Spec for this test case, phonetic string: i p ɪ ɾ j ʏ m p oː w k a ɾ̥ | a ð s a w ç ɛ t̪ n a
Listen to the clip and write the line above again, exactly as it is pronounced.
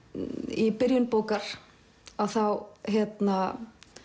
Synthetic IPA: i p ɪ ɾ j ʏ n p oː w k a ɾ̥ | a ð θ a w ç ɛ t̪ n a